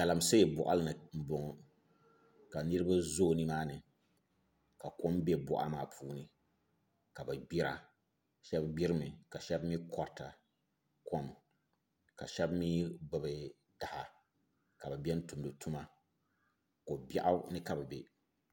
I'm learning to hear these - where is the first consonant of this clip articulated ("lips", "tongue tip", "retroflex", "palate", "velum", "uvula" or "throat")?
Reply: velum